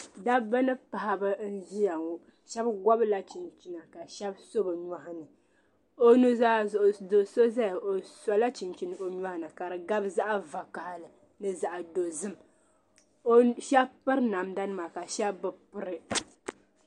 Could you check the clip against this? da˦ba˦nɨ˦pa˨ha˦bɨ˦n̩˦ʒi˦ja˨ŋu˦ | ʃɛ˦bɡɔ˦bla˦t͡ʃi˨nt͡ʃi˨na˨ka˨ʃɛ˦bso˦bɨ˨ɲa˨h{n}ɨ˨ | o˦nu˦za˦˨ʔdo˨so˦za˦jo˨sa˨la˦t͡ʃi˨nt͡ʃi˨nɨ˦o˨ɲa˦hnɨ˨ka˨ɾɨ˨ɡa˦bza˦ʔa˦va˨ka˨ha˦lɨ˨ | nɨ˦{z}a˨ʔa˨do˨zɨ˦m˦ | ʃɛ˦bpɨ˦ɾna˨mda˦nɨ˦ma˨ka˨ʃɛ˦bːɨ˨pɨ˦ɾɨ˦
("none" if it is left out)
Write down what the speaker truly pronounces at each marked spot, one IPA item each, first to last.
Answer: n, z

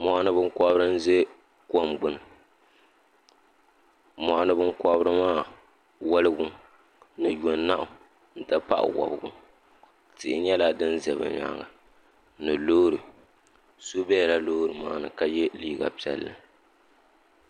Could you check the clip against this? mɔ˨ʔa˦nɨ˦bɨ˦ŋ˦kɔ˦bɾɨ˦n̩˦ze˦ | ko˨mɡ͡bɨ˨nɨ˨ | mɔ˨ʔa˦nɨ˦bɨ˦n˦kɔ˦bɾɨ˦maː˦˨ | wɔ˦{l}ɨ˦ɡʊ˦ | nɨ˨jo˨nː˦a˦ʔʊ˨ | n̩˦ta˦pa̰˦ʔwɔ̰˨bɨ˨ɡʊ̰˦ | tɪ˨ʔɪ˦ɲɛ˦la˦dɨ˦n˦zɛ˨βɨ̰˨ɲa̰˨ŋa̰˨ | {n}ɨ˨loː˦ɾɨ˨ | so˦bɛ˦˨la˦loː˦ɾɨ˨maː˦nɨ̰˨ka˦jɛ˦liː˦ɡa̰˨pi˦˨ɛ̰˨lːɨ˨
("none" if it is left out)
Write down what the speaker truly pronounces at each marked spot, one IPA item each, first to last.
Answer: l, n

